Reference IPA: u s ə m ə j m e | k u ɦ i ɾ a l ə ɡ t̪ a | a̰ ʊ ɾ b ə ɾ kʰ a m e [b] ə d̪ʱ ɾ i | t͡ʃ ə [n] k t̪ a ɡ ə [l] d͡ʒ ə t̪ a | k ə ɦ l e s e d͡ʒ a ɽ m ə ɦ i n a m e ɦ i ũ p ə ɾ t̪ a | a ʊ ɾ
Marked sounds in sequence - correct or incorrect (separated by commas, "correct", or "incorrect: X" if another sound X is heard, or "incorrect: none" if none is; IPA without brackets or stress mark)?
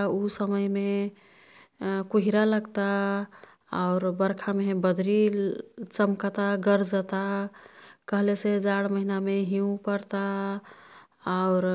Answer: correct, incorrect: m, incorrect: ɾ